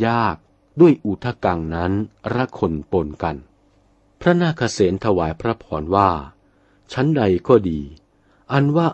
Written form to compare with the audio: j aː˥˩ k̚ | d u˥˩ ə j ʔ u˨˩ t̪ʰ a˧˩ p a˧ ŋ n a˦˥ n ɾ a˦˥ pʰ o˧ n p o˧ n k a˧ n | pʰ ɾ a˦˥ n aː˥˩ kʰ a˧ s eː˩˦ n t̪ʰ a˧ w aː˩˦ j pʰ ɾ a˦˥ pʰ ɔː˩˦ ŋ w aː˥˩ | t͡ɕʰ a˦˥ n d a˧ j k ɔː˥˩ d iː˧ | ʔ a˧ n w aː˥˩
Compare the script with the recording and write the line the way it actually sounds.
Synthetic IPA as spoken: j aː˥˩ k̚ | d u˥˩ ə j ʔ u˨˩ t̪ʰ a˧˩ k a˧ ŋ n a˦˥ n ɾ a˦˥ kʰ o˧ n p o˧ n k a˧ n | pʰ ɾ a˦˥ n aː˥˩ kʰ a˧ s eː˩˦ n t̪ʰ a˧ w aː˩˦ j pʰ ɾ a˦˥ pʰ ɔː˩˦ n w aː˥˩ | t͡ɕʰ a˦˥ n d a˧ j k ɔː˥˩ d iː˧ | ʔ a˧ n w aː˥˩